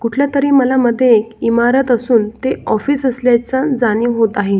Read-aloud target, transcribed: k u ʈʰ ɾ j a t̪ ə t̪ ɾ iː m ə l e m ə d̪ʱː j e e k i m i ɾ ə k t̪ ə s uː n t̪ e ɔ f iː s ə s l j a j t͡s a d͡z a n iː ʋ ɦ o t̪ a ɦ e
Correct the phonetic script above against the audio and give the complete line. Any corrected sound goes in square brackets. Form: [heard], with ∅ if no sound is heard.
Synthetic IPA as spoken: k u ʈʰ [l] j a t̪ ə [∅] ɾ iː m ə l [a] m ə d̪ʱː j e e k i m [a] ɾ ə [∅] t̪ ə s uː n t̪ e ɔ f iː s ə s l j a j t͡s a d͡z a n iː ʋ ɦ o t̪ a ɦ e